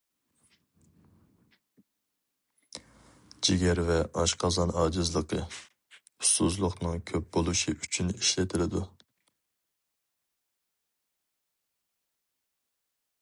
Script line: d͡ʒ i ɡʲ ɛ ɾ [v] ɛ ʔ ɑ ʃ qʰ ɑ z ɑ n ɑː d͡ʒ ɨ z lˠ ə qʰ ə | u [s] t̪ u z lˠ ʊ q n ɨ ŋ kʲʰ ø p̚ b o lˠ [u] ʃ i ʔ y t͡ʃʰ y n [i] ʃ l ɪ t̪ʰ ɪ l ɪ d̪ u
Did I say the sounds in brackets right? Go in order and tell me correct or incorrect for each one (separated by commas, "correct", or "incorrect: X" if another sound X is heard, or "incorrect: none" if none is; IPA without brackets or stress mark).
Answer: correct, correct, correct, correct